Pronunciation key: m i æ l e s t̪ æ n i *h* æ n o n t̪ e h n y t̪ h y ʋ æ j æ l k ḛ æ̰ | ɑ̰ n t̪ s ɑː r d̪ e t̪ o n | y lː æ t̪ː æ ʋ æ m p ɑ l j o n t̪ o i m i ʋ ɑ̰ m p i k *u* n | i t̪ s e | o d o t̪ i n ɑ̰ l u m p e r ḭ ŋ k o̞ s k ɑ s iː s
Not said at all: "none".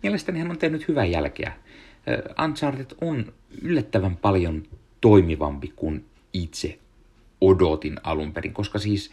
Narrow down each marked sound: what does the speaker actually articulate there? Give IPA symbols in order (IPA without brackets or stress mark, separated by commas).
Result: h, u